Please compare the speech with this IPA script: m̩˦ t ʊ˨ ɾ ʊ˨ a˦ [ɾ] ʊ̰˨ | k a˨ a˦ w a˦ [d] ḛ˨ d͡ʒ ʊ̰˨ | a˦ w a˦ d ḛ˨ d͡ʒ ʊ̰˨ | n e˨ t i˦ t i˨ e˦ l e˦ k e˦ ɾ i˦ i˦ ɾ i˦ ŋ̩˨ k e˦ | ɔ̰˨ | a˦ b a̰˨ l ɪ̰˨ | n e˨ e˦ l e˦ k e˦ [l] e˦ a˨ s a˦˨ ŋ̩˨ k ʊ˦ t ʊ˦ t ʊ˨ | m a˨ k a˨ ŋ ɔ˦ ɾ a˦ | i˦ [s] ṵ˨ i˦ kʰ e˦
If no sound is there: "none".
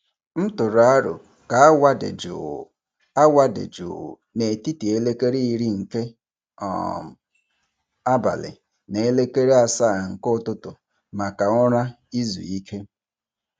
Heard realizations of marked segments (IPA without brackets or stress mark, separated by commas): ɾ, d, ɾ, z